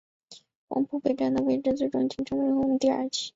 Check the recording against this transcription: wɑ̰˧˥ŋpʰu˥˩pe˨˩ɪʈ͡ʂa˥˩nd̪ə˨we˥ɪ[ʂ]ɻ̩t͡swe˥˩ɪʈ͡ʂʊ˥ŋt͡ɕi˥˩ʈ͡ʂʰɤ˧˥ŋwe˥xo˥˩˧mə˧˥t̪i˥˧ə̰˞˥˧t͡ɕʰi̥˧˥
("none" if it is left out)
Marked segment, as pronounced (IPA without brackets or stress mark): ʈ͡ʂ